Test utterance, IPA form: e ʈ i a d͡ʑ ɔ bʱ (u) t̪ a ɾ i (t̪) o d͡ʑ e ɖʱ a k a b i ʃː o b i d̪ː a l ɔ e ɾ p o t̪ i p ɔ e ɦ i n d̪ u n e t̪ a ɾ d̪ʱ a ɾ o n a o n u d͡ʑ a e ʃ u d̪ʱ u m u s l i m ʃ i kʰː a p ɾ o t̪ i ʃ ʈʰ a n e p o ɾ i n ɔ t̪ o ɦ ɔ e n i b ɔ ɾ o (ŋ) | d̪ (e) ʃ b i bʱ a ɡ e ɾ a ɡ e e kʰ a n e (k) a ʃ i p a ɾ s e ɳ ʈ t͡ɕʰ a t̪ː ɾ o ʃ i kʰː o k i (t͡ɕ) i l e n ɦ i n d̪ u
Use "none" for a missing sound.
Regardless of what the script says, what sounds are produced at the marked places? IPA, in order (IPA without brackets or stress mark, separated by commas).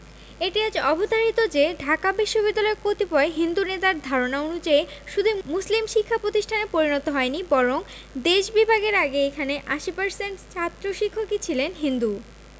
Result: o, t̪, ŋ, e, ʔ, t͡ɕʰ